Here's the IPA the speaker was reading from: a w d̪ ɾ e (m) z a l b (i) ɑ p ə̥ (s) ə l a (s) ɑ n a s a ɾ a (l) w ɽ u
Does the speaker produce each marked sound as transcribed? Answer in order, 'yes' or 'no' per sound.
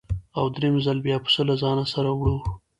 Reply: yes, no, yes, no, no

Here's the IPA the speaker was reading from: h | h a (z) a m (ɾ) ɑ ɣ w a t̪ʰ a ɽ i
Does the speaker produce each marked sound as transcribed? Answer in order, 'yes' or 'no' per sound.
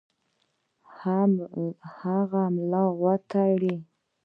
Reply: no, no

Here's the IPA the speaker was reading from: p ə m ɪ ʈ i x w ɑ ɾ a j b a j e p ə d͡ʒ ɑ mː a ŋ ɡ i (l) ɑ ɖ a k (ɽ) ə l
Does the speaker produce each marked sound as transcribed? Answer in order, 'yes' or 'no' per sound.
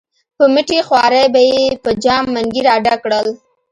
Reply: no, yes

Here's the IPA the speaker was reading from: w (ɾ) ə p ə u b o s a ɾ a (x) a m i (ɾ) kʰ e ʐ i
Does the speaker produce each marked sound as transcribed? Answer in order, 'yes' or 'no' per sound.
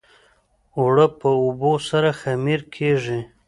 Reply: no, yes, yes

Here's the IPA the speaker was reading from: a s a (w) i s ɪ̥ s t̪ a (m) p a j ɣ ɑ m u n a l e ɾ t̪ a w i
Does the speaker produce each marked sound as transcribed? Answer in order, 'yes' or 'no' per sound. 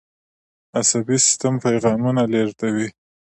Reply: no, yes

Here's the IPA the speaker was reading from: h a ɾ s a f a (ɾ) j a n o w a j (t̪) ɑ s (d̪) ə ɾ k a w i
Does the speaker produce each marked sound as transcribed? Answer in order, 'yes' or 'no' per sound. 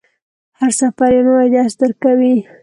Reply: yes, no, yes

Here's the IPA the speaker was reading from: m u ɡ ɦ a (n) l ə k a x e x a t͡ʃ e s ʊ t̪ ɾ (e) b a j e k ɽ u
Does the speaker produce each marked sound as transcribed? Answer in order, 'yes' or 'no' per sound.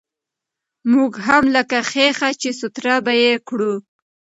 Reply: no, no

